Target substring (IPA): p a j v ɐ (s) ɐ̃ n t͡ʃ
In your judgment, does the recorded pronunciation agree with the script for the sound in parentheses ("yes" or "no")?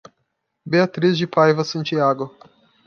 yes